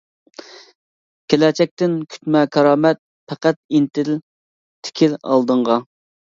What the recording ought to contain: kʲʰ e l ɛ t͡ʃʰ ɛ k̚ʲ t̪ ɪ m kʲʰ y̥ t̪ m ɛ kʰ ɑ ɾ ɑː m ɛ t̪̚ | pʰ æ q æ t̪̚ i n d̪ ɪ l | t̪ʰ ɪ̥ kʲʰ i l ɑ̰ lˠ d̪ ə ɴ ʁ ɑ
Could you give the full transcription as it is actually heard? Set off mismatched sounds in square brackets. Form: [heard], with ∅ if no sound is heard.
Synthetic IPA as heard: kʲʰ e l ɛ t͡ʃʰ ɛ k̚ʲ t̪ ɪ [n] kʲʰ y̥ t̪ m ɛ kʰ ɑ ɾ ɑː m ɛ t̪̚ | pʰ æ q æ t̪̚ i n [t̪] ɪ l | t̪ʰ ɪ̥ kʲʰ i l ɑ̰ lˠ d̪ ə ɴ ʁ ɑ